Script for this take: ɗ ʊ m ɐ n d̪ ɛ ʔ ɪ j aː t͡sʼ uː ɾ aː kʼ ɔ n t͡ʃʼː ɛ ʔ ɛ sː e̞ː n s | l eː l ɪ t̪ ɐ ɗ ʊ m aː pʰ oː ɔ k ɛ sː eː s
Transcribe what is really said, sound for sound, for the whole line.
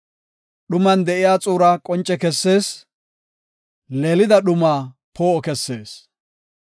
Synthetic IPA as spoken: ɗ ʊ m ɐ n d̪ ɛ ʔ ɪ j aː t͡sʼ uː ɾ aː kʼ ɔ n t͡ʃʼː ɛ k ɛ sː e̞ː s | l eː l ɪ d̪ ɐ ɗ ʊ m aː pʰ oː ɔ k ɛ sː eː s